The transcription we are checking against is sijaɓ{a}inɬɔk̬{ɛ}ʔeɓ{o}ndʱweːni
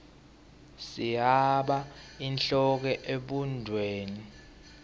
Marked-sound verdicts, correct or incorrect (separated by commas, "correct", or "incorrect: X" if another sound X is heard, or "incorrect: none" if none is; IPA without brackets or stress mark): correct, correct, incorrect: u